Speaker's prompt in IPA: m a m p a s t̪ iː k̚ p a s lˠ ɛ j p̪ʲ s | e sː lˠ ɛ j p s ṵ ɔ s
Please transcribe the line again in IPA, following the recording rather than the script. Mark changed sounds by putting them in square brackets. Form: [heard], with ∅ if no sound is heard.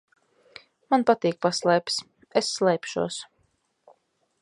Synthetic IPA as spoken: m a [n] p a [∅] t̪ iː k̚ p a s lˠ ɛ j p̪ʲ s | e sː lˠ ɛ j p [ʃ] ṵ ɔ s